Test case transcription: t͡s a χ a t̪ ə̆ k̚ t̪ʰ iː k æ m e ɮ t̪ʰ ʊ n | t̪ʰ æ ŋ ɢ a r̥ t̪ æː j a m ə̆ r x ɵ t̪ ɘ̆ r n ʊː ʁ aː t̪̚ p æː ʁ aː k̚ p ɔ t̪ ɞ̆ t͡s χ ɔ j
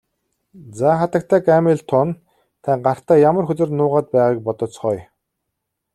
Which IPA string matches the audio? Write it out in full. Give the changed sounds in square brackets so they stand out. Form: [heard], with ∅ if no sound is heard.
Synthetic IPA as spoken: t͡s a χ a t̪ ə̆ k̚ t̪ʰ [æː] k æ m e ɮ t̪ʰ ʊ n | t̪ʰ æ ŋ ɢ a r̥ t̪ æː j a m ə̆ r x ɵ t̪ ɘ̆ r n ʊː ʁ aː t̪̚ p æː ʁ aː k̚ p ɔ t̪ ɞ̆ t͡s χ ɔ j